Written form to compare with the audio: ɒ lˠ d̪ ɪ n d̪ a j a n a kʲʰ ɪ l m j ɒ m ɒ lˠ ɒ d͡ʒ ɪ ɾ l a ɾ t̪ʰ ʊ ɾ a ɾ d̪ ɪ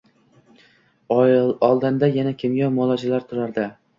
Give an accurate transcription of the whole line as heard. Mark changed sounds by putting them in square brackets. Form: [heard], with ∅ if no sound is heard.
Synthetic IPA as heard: ɒ lˠ d̪ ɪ n d̪ a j a n a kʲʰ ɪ [∅] m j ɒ m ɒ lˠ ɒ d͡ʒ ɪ [∅] l a ɾ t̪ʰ ʊ ɾ a ɾ d̪ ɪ